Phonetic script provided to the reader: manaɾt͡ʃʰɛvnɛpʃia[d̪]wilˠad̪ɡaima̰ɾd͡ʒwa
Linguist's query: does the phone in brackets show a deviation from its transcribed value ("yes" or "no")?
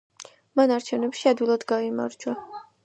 no